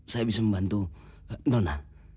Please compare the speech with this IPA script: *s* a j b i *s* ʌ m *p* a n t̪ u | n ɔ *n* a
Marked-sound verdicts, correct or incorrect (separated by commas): correct, correct, incorrect, correct